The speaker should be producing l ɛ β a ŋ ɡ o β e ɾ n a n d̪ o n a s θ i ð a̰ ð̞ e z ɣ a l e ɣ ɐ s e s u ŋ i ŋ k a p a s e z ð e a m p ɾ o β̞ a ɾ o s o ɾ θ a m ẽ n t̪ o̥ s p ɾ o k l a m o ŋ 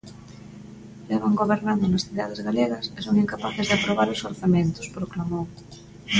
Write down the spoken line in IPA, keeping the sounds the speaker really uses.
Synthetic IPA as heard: l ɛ β a ŋ ɡ o β e ɾ n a n d̪ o n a s θ i ð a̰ ð̞ e z ɣ a l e ɣ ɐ s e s o ŋ i ŋ k a p a θ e z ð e a p ɾ o β̞ a ɾ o s o ɾ θ a m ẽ n t̪ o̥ s p ɾ o k l a m o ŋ